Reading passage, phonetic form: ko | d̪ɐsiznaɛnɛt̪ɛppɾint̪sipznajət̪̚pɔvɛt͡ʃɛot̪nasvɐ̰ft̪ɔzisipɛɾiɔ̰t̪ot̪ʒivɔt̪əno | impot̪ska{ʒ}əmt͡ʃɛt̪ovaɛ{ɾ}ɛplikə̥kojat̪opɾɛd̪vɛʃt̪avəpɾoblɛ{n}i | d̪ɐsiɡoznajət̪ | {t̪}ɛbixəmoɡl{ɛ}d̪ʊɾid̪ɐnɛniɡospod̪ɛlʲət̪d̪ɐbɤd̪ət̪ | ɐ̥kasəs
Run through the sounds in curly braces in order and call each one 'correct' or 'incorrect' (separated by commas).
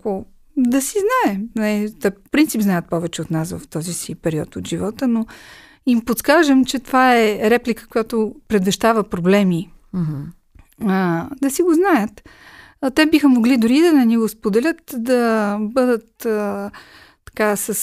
correct, correct, incorrect, correct, incorrect